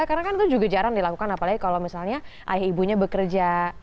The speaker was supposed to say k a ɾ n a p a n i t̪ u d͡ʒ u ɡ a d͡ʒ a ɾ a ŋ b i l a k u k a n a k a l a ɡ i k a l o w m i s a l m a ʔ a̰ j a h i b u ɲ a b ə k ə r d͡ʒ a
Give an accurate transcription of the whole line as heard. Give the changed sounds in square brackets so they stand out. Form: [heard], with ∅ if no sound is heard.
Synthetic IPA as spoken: k a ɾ n a [k] a n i t̪ u d͡ʒ u ɡ a d͡ʒ a ɾ a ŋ [d] i l a k u k a n a [p] a l a ɡ i k a l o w m i s a l [ɲ] a ʔ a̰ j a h i b u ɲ a b ə k ə r d͡ʒ a